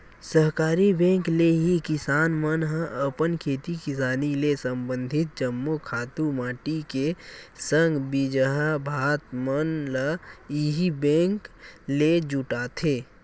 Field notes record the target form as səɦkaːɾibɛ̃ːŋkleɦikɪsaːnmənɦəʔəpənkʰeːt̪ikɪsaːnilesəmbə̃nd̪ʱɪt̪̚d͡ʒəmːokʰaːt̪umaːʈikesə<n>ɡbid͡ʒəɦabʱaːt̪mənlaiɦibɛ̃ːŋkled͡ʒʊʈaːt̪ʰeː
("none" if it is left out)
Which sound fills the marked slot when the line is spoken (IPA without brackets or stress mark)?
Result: ŋ